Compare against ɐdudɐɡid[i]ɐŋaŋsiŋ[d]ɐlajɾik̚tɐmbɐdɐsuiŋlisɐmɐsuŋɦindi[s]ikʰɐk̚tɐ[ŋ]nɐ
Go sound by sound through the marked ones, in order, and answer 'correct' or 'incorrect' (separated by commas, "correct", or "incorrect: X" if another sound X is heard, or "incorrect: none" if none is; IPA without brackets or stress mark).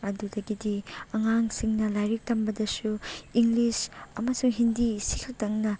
correct, incorrect: n, correct, correct